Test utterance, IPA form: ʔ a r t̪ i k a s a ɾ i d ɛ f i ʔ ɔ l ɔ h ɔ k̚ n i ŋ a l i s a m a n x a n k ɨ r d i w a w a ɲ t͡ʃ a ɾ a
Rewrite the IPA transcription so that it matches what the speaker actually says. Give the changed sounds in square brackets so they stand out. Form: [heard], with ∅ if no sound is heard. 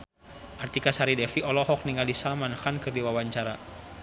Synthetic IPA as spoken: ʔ a r t̪ i k a s a ɾ i d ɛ f i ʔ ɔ l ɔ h ɔ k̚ n i ŋ a l i s a m a n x a n k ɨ r d i w a w a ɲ t͡ʃ a ɾ a